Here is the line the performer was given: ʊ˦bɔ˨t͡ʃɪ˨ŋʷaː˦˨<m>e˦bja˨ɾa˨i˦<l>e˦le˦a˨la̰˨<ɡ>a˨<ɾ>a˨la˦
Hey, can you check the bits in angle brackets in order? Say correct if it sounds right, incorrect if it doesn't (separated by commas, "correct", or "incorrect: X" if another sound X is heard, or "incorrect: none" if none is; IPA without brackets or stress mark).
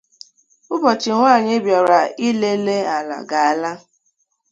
incorrect: ɲ, correct, correct, incorrect: none